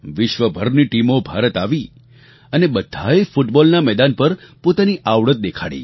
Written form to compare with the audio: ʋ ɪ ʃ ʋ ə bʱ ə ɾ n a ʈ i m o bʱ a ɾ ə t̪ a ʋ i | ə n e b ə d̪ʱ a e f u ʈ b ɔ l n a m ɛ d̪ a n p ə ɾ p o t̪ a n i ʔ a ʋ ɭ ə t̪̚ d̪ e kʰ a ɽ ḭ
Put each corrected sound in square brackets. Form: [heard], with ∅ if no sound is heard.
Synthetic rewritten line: ʋ ɪ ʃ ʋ ə bʱ ə ɾ n [i] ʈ i m o bʱ a ɾ ə t̪ a ʋ i | ə n e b ə d̪ʱ a e f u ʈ b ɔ l n a m ɛ d̪ a n p ə ɾ p o t̪ a n i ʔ a ʋ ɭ ə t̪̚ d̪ e kʰ a ɽ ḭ